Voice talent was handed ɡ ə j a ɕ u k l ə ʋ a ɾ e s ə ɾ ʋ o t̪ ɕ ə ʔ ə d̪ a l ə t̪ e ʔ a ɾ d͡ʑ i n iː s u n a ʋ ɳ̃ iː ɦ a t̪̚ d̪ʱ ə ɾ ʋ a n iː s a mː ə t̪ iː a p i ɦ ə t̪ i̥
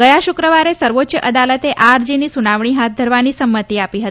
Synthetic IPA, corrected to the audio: ɡ ə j a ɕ u k ɾ ə ʋ a ɾ e s ə ɾ ʋ o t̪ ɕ ə ʔ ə d̪ a l ə t̪ e ʔ a ɾ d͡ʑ i n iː s u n a ʋ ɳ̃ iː ɦ a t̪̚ d̪ʱ ə ɾ ʋ a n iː s ə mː ə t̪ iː a p i ɦ ə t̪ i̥

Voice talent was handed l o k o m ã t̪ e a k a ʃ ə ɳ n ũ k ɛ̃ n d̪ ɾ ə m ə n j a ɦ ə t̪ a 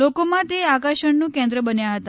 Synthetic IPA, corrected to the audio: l o k o m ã t̪ e a k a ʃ ə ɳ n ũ k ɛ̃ n d̪ ɾ ə b ə n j a ɦ ə t̪ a

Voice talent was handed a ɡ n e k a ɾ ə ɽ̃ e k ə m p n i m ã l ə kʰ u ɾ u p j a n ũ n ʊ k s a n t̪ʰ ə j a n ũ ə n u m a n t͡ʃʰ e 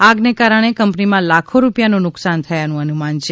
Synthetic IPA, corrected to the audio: a ɡ n e k a ɾ ə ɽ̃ e k ə m p n i m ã l a kʰ o ɾ u p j a n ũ n ʊ k s a n t̪ʰ ə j a n ũ ə n u m a n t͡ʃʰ e

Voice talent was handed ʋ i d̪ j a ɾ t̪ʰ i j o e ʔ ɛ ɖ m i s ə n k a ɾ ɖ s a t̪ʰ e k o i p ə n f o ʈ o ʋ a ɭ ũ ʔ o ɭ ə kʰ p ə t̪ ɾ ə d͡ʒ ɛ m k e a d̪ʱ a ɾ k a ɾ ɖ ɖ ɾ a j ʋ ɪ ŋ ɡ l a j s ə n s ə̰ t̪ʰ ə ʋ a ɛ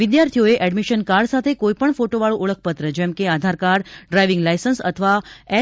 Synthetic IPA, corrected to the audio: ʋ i d̪ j a ɾ t̪ʰ i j o e ʔ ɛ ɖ m i ʃ ə n k a ɾ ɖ s a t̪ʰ e k o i p ə ɳ f o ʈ o ʋ a ɭ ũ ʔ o ɭ ə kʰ p ə t̪ ɾ ə d͡ʒ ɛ m k e a d̪ʱ a ɾ k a ɾ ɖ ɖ ɾ a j ʋ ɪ ŋ ɡ l a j s ə n s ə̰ t̪ʰ ə ʋ a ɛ

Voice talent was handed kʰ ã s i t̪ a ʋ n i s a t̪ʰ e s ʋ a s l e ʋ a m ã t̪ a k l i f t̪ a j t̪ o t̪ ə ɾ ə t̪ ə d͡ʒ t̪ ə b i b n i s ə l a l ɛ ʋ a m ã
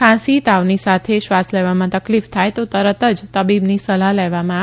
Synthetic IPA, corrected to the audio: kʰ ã s i t̪ a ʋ n i s a t̪ʰ e ʃ ʋ a s l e ʋ a m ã t̪ ə k l i f t̪ʰ a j t̪ o t̪ ə ɾ ə t̪ ə d͡ʒ t̪ ə b i b n i s ə l a l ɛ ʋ a m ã

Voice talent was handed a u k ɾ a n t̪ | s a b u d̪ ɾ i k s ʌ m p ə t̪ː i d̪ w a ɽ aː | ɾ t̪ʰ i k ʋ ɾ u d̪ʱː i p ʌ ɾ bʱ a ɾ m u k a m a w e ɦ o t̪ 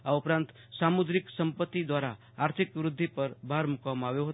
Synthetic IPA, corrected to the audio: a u p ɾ a n t̪ | s a m u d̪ ɾ i k s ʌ m p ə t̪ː i d̪ w a ɾ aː | ɾ t̪ʰ i k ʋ ɾ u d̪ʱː i p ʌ ɾ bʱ a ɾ m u k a m a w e ɦ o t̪

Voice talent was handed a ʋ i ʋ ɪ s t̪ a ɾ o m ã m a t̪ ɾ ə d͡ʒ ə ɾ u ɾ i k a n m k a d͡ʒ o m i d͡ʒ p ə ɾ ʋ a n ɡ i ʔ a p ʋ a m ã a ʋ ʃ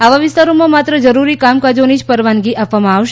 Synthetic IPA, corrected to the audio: a ʋ a ʋ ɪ s t̪ a ɾ o m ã m a t̪ ɾ ə d͡ʒ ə ɾ u ɾ i k a m k a d͡ʒ o n i d͡ʒ p ə ɾ ʋ a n ɡ i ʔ a p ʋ a m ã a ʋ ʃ

